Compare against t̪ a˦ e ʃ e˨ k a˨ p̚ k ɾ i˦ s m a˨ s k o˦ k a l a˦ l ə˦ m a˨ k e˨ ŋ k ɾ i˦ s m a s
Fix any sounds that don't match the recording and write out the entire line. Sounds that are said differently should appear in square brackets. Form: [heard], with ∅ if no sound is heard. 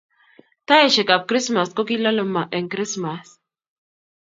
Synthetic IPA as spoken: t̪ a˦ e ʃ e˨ k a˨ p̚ k ɾ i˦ s m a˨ s k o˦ k [i] l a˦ l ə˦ m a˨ [ʔ] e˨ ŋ k ɾ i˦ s m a s